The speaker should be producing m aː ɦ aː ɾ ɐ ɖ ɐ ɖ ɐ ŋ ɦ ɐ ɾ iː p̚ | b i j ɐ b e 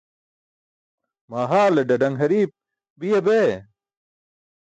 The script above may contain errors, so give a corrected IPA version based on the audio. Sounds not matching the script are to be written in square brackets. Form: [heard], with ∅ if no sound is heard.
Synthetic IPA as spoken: m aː ɦ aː [l] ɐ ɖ ɐ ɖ ɐ ŋ ɦ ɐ ɾ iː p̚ | b i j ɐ b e